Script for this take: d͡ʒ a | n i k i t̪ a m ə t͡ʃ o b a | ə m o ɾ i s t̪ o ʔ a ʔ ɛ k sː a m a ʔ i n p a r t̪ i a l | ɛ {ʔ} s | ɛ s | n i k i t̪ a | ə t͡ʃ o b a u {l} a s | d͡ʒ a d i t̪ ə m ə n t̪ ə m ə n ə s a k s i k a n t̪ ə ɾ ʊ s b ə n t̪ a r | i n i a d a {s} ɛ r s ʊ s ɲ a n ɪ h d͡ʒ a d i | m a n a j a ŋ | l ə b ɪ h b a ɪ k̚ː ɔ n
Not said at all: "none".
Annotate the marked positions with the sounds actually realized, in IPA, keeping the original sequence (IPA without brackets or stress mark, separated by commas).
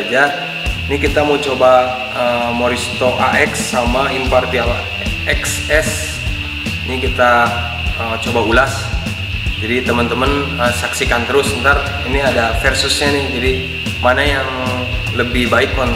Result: k, l, f